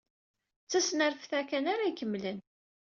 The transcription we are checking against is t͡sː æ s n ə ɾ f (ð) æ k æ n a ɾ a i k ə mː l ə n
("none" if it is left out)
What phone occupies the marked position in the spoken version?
θ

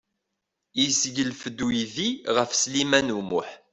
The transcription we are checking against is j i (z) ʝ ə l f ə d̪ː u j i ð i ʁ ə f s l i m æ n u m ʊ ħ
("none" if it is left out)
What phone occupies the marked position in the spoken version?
s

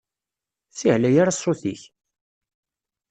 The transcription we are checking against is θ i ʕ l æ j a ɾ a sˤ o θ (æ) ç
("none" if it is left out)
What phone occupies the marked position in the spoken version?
i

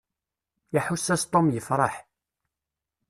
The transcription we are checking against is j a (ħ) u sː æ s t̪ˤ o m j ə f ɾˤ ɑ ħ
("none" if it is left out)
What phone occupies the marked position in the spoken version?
ħ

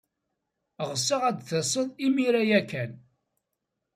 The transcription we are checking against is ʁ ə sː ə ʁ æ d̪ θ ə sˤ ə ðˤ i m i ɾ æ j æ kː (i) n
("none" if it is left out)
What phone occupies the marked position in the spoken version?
æ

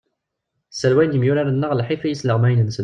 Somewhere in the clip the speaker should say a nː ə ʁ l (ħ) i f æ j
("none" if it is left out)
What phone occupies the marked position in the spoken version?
ħ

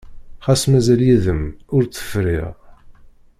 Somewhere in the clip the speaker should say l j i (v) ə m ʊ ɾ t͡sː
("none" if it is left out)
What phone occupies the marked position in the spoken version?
ð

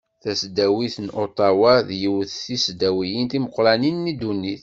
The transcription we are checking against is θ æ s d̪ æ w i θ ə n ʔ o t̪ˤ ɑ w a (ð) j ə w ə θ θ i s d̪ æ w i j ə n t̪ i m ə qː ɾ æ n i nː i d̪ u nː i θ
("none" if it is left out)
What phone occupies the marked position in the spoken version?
ð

